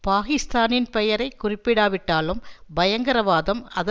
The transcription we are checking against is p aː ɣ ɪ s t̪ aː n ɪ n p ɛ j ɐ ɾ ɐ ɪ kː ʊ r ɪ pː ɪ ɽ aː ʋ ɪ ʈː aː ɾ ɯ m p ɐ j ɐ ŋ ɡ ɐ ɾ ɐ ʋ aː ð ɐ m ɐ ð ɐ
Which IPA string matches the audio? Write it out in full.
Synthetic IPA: p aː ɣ ɪ s t̪ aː n ɪ n p ɛ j ɐ ɾ ɐ ɪ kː ʊ r ɪ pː ɪ ɽ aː ʋ ɪ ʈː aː l ɯ m b ɐ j ɐ ŋ ɡ ɐ ɾ ɐ ʋ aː ð ɐ m ɐ ð ɐ